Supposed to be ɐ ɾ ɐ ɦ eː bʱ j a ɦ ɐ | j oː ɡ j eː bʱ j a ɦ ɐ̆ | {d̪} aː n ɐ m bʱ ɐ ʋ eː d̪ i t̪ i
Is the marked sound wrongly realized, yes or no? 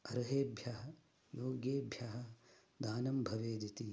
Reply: no